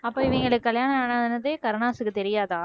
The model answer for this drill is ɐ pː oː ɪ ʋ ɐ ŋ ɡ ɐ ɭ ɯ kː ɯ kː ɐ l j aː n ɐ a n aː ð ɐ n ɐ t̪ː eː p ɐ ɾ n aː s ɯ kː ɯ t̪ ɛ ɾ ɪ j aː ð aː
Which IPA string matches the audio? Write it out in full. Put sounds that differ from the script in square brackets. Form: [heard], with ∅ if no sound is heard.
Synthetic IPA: ɐ pː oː ɪ ʋ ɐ ŋ ɡ ɐ ɭ ɯ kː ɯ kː ɐ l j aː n ɐ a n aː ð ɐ n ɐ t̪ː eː [k] ɐ ɾ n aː s ɯ kː ɯ t̪ ɛ ɾ ɪ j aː ð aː